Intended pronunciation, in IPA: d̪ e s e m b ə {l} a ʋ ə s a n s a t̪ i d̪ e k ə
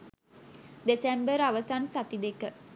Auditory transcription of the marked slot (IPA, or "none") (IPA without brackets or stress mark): ɾ